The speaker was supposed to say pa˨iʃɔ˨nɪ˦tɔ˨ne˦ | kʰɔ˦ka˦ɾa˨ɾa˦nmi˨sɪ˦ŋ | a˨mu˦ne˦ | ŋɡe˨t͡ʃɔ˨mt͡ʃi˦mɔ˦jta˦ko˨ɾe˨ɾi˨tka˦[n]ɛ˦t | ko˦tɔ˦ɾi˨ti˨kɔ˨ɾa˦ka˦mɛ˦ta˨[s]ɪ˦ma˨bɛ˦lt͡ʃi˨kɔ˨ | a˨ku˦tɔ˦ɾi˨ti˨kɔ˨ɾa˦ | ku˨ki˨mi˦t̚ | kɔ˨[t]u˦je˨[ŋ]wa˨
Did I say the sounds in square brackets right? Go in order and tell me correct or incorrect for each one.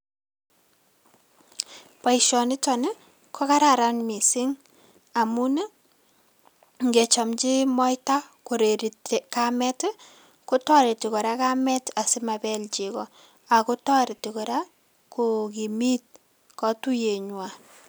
incorrect: m, correct, correct, incorrect: ɲ

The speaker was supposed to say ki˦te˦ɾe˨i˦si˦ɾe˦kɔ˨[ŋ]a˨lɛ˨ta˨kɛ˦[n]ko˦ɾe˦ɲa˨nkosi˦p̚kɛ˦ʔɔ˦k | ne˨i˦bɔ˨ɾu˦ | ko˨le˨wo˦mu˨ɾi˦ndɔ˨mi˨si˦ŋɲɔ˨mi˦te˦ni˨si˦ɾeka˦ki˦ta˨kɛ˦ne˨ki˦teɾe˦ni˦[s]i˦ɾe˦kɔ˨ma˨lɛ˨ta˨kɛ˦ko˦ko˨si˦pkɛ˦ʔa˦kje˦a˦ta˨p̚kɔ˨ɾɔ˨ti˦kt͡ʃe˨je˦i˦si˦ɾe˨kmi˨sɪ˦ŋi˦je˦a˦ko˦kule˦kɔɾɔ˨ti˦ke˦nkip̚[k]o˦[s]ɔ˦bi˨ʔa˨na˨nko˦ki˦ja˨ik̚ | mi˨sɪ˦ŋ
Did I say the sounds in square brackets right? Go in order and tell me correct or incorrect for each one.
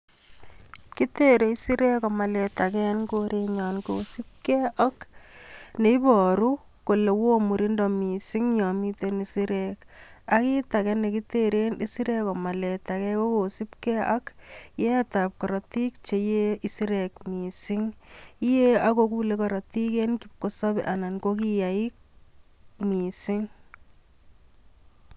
incorrect: m, correct, correct, correct, correct

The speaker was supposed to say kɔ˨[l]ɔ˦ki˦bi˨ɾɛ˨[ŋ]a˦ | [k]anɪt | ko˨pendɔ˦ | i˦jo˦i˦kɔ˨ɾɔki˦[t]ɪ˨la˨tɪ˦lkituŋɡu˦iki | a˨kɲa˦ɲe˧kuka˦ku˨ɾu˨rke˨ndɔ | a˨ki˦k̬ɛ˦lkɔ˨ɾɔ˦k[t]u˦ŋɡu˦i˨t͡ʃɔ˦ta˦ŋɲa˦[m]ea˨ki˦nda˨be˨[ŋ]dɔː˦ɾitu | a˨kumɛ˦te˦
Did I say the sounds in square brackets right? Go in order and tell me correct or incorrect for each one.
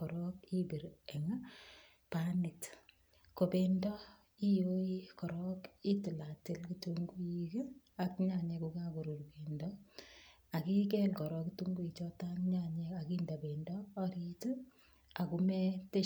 incorrect: ɾ, correct, incorrect: p, correct, correct, incorrect: ɲ, incorrect: n

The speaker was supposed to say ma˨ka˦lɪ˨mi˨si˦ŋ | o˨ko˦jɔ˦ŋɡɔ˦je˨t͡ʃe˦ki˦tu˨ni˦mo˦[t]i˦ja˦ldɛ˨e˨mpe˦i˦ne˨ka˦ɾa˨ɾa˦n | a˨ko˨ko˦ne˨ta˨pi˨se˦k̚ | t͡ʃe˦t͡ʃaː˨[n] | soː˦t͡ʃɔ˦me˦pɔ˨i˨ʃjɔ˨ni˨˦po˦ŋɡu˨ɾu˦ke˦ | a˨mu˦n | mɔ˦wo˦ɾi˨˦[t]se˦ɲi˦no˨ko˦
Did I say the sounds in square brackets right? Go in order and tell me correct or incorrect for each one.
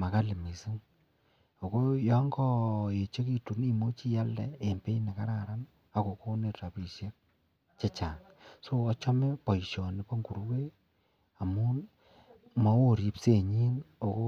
incorrect: t͡ʃ, incorrect: ŋ, incorrect: p

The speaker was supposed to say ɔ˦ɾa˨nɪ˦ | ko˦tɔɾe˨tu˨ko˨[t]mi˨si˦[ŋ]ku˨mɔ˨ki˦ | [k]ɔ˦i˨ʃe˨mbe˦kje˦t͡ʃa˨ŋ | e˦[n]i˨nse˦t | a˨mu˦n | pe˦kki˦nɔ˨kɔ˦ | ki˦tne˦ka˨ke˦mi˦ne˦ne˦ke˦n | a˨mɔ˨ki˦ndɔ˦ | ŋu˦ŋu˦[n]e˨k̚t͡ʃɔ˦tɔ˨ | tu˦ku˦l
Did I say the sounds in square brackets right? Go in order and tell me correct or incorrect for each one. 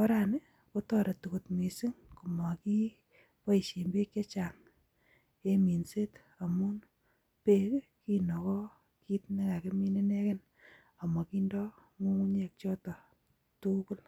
correct, correct, incorrect: p, incorrect: m, incorrect: ɲ

